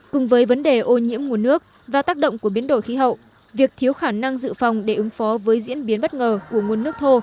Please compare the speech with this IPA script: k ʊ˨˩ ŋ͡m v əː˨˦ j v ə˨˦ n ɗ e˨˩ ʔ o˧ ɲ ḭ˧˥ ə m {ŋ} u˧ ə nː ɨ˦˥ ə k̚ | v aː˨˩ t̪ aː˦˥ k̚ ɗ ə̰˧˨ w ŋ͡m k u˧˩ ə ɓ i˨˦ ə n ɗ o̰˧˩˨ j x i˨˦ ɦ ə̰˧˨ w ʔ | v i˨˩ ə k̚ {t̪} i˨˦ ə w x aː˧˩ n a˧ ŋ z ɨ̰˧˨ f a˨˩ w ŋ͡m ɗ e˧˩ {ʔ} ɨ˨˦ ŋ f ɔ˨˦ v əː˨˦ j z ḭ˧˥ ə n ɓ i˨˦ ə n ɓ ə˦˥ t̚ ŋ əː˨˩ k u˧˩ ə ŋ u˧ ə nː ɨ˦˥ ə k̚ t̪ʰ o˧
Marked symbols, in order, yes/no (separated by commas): yes, no, yes